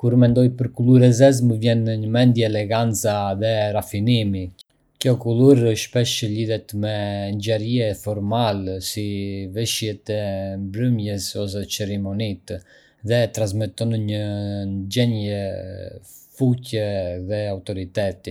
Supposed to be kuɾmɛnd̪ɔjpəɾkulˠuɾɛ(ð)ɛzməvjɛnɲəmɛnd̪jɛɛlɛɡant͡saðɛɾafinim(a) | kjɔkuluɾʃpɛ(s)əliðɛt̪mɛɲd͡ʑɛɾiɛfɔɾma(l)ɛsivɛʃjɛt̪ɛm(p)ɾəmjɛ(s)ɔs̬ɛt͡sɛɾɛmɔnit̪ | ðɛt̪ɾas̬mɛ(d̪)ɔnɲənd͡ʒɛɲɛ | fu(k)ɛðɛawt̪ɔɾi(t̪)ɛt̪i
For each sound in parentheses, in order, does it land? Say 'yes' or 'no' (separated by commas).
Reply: no, no, no, yes, no, yes, no, no, yes